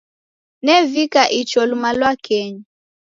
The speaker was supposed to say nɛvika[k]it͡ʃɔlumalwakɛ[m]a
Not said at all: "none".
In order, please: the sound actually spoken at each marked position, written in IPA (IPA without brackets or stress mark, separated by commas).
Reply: ʔ, ɲ